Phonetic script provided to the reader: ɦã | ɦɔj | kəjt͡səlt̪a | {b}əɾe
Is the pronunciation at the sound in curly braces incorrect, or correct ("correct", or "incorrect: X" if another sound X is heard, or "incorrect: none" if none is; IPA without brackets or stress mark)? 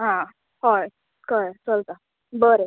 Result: correct